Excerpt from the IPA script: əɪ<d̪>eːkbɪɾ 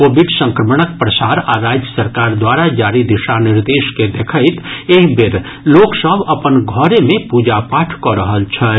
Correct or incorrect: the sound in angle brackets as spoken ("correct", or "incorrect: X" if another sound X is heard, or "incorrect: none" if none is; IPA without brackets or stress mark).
incorrect: t̪